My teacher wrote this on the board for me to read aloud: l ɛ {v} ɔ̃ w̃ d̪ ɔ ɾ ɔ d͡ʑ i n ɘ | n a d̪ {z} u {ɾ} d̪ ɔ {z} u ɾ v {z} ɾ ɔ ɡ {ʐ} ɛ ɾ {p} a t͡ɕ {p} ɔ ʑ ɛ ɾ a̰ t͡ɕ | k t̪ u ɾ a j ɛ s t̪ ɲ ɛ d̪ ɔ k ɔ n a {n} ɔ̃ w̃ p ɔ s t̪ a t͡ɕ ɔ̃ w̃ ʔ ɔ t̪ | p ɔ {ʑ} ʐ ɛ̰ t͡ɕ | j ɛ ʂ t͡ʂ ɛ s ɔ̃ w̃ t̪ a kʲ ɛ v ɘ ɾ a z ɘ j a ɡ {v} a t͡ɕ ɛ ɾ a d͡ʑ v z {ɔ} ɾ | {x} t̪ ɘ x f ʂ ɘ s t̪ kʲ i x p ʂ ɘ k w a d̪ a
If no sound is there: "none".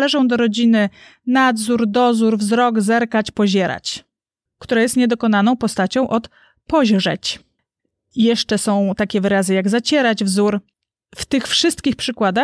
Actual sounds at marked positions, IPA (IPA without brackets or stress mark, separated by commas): ʐ, z, ɾ, z, z, z, k, p, n, ʑ, z, u, f